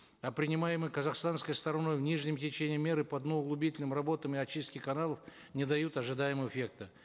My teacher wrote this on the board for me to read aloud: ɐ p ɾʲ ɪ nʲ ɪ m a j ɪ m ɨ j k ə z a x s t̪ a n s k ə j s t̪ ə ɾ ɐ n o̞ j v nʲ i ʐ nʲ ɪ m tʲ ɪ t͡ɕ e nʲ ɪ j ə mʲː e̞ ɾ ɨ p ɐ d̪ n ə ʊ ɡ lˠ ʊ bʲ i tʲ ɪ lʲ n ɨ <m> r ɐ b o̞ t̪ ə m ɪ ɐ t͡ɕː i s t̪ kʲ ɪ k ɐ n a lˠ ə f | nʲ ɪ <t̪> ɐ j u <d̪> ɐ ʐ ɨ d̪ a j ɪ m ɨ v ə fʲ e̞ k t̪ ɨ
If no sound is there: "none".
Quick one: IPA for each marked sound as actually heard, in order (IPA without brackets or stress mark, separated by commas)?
m, d̪, t̪